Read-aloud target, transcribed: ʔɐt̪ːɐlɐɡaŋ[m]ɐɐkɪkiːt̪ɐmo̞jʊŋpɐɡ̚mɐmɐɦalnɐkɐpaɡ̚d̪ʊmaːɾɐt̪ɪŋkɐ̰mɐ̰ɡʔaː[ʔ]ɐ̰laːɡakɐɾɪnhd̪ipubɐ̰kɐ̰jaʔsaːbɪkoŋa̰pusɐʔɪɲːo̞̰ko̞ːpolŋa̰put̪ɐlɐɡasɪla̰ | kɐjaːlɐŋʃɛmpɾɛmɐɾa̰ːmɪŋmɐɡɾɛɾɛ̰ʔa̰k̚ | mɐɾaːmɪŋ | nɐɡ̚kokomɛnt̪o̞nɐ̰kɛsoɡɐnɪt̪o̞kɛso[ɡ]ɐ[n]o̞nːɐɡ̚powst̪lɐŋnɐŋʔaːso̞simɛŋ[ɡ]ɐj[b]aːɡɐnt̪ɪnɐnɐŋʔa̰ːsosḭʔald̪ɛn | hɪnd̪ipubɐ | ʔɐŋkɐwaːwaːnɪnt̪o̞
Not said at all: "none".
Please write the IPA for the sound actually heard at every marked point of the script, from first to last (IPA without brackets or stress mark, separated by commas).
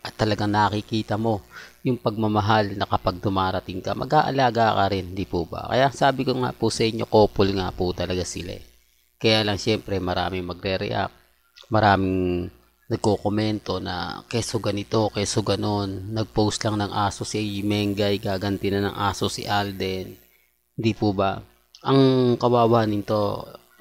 n, ʔ, ɡ, n, ɡ, ɡ